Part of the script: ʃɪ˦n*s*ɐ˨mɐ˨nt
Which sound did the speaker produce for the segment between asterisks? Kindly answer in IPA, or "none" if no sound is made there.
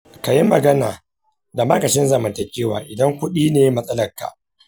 z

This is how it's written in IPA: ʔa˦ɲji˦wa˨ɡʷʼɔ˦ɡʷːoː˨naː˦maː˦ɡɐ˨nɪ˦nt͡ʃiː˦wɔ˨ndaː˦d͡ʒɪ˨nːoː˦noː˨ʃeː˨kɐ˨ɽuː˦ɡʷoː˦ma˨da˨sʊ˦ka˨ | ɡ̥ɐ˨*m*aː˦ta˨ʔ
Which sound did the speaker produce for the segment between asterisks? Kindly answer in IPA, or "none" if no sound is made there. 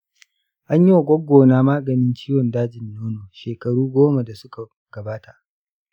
b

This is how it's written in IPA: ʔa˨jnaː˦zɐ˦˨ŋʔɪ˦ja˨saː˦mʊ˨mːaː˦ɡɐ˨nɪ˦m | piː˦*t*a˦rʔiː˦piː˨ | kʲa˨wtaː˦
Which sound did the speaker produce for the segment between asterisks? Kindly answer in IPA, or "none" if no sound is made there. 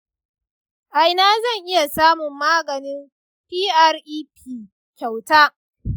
ʔ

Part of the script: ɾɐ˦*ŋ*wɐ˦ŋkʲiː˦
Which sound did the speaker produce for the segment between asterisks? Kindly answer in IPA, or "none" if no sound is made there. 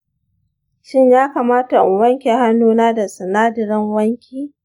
ŋ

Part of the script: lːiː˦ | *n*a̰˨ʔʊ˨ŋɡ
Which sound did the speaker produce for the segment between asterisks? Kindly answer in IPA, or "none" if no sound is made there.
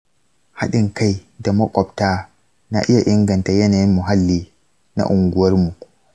n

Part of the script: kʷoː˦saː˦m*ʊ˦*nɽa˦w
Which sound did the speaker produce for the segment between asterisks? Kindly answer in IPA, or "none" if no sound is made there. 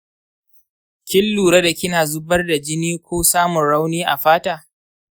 ʊ˨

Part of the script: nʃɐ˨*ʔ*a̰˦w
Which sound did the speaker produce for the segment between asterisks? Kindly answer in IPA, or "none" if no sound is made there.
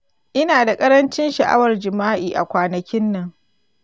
ʔ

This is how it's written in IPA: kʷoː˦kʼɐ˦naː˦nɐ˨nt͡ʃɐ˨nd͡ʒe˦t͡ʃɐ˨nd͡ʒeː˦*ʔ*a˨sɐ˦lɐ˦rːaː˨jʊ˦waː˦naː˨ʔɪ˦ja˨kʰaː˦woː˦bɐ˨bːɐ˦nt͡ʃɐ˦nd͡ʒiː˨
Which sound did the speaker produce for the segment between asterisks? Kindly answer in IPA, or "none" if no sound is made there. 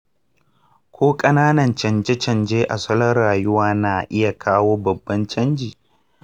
ʔ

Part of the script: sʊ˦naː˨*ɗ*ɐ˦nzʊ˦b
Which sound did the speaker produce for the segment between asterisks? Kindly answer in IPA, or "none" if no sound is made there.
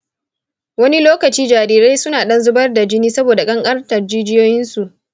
ɗ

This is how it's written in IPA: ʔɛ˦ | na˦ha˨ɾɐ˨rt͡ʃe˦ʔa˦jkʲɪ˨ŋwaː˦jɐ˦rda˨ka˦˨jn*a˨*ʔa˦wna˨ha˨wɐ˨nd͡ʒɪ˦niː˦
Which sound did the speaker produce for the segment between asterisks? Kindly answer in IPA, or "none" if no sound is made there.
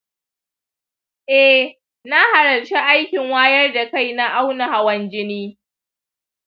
a˦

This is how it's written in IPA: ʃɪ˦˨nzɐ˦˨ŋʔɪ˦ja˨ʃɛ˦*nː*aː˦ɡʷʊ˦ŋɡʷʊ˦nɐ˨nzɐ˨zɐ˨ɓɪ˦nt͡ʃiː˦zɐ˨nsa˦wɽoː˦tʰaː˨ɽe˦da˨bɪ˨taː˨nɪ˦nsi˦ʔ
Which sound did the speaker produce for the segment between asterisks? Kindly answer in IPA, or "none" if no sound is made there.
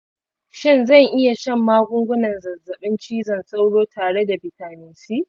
mː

